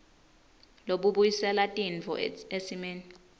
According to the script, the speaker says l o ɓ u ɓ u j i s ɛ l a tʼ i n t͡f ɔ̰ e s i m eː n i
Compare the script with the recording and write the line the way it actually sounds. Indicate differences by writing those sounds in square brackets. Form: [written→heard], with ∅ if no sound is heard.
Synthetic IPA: l o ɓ u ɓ u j i s ɛ l a tʼ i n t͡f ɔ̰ e s i m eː n i